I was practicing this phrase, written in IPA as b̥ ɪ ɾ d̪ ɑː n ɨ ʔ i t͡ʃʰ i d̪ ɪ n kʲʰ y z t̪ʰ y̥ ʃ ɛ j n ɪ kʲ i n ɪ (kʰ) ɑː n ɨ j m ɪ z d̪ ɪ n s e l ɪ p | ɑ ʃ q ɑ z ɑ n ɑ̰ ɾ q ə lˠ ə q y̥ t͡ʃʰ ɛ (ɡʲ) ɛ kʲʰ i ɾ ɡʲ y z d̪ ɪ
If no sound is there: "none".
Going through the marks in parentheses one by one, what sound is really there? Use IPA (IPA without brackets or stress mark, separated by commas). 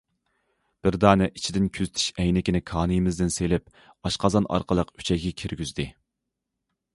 kʰ, ɡʲ